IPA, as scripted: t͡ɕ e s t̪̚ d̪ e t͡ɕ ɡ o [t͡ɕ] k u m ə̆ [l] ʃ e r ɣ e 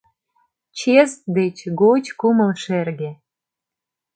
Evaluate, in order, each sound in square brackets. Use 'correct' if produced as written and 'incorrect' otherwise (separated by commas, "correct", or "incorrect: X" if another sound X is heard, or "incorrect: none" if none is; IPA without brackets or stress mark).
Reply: correct, correct